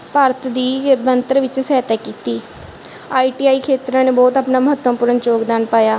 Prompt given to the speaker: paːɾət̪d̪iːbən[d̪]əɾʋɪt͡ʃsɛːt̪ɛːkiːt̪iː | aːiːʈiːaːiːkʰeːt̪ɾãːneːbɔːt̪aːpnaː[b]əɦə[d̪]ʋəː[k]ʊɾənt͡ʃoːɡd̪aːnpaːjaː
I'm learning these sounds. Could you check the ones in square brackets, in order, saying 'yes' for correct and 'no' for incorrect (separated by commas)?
no, no, no, no